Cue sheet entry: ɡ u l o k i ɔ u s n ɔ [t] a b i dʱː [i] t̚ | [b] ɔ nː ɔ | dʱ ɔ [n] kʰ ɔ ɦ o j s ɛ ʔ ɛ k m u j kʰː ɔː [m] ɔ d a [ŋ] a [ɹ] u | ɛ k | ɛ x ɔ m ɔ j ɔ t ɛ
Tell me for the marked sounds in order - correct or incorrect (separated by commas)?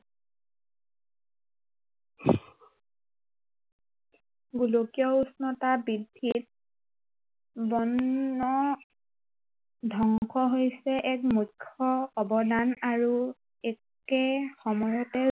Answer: correct, correct, correct, incorrect, incorrect, incorrect, correct